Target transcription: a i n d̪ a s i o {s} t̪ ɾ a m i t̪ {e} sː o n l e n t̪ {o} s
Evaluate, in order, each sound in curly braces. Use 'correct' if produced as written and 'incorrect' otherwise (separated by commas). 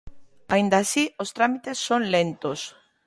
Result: correct, correct, correct